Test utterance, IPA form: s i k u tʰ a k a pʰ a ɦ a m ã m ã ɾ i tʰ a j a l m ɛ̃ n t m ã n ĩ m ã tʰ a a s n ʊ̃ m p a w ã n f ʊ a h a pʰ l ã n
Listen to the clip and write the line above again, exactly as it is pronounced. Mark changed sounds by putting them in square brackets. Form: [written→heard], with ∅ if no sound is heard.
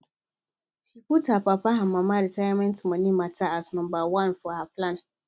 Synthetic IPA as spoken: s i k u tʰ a [k→p] a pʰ a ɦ a m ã m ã ɾ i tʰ a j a [l→∅] m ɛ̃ n t m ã n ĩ m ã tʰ a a s n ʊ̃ m [p→b] a w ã n f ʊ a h a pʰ l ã n